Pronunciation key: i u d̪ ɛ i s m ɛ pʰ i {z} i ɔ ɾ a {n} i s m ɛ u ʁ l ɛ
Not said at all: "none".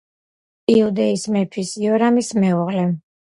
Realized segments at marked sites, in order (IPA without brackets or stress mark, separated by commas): s, m